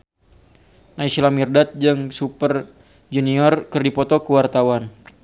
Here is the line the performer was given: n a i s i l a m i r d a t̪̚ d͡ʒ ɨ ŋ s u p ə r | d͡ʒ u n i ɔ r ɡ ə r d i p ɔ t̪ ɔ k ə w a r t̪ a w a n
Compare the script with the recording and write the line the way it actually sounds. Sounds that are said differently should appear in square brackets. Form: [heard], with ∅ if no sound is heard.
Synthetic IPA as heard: n a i s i l a m i r d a t̪̚ d͡ʒ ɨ ŋ s u p ə r | d͡ʒ u n i ɔ r [k] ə r d i p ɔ t̪ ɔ k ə w a r t̪ a w a n